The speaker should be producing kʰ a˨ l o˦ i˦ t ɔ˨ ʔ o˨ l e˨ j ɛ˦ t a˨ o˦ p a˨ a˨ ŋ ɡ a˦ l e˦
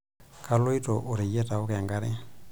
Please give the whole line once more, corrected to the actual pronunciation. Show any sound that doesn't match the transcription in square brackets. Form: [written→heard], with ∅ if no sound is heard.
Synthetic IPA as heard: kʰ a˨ l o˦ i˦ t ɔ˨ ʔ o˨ [l→ɾ] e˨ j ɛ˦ t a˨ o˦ [p→k] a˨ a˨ ŋ ɡ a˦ [l→ɾ] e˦